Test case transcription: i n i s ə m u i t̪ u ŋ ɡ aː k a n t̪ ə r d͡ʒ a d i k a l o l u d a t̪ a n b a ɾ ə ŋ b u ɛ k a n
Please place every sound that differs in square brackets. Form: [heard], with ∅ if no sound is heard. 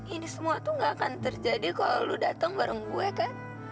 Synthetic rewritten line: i n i s ə m u [a] t̪ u ŋ ɡ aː k a n t̪ ə r d͡ʒ a d i k a l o l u d a t̪ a [ŋ] b a ɾ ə ŋ b u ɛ k a n